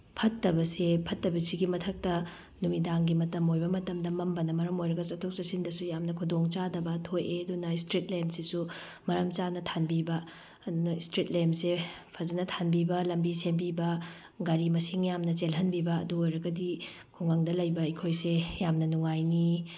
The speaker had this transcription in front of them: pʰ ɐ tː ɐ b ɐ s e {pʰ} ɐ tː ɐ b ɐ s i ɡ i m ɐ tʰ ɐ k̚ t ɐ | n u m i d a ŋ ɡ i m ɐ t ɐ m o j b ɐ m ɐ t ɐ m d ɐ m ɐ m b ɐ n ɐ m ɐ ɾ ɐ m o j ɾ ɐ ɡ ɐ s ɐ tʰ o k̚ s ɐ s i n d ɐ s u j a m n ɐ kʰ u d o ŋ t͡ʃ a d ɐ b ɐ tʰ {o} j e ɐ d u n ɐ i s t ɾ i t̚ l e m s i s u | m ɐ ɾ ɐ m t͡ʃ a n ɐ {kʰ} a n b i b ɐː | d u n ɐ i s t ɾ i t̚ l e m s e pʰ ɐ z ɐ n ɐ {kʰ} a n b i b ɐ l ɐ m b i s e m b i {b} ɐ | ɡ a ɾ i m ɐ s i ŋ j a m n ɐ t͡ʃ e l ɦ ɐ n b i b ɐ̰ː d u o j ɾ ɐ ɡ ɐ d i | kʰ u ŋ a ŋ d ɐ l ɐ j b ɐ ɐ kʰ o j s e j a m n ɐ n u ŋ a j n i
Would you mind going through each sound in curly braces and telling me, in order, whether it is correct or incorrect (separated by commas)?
correct, correct, incorrect, incorrect, correct